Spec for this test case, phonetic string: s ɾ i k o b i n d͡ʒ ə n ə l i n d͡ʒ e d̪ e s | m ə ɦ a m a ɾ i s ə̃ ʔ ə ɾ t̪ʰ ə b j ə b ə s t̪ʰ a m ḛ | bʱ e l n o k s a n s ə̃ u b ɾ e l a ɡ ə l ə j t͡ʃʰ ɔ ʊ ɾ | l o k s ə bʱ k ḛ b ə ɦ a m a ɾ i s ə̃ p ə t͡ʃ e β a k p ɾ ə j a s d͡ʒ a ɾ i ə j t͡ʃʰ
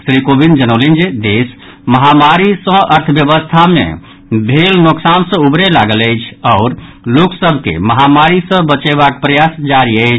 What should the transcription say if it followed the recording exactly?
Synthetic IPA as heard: s ɾ i k o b i n d͡ʒ ə n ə l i n d͡ʒ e d̪ e s | m ə ɦ a m a ɾ i s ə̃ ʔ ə ɾ t̪ʰ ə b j ə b ə s t̪ʰ a m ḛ | bʱ e l n o k s a n s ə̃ u b ɾ e l a ɡ ə l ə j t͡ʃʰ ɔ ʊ ɾ | l o k s ə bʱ k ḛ m ə ɦ a m a ɾ i s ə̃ b ə t͡ʃ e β a k p ɾ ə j a s d͡ʒ a ɾ i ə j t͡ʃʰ